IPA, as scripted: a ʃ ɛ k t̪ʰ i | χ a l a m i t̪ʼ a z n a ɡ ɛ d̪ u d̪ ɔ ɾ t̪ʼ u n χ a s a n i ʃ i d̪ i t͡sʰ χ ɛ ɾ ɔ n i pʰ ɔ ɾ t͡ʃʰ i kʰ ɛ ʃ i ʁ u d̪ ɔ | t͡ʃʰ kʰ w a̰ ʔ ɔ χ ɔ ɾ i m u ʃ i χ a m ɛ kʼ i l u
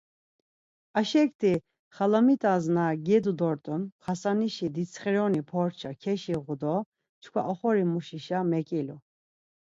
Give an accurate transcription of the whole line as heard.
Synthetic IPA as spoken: a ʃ ɛ k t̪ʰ i | χ a l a m i t̪ʼ a z n a ɡ ɛ d̪ u d̪ ɔ ɾ t̪ʼ u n χ a s a n i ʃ i d̪ i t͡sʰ χ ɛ ɾ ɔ n i pʰ ɔ ɾ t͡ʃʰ a kʰ ɛ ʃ i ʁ u d̪ ɔ | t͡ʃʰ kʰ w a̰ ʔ ɔ χ ɔ ɾ i m u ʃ i ʃ a m ɛ kʼ i l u